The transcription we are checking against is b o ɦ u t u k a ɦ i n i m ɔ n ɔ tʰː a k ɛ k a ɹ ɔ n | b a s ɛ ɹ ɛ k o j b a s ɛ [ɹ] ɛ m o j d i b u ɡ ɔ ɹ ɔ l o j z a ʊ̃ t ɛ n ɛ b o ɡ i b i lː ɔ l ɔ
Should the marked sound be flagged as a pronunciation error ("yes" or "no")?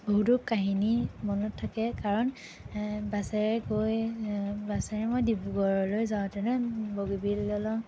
no